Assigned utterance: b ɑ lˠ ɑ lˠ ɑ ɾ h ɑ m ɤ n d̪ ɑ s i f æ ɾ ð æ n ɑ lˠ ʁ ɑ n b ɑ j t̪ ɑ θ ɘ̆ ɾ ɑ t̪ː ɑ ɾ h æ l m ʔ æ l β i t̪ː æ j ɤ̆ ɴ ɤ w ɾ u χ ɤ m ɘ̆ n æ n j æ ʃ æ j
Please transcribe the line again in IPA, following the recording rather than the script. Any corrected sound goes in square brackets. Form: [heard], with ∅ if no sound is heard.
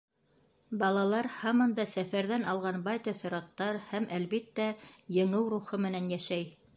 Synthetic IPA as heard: b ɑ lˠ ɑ lˠ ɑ ɾ h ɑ m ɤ n d̪ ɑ s [æ] f æ ɾ ð æ n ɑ lˠ ʁ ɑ n b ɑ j t̪ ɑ θ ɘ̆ ɾ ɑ t̪ː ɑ ɾ h æ [∅] m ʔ æ l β i t̪ː æ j ɤ̆ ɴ ɤ w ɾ u χ ɤ m ɘ̆ n æ n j æ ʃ æ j